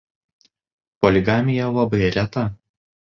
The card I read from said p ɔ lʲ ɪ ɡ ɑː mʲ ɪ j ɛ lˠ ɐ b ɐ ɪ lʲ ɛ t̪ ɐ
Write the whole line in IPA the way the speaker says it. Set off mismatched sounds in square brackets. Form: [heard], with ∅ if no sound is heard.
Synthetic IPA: p ɔ lʲ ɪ ɡ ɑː mʲ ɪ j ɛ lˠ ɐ b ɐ ɪ [ɾʲ] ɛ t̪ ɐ